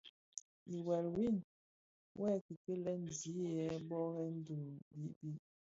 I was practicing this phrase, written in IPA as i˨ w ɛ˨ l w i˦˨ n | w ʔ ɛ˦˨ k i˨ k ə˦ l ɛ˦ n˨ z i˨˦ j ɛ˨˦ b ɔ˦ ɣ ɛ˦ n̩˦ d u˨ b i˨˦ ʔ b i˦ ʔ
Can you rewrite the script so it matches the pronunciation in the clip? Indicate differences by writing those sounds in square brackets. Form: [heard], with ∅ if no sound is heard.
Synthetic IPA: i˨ w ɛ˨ l w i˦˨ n | w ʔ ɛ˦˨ k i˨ k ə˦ l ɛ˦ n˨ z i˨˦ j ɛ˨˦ b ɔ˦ ɣ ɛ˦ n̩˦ d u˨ b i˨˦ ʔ b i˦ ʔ